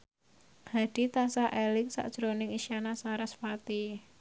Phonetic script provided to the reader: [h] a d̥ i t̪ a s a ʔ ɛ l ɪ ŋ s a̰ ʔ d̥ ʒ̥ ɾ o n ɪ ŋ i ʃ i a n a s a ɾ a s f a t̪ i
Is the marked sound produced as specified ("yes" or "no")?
yes